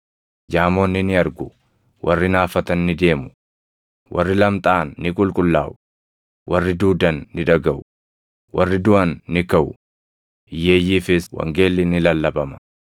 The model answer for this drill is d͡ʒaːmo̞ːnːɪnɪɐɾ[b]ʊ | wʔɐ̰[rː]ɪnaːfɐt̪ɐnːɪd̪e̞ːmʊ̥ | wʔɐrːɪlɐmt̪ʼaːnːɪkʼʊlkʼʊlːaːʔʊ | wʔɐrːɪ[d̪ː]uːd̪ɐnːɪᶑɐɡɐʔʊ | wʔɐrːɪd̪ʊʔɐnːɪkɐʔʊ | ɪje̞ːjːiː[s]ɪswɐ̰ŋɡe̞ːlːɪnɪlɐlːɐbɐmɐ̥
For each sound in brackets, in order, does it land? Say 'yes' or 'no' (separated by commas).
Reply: no, yes, no, no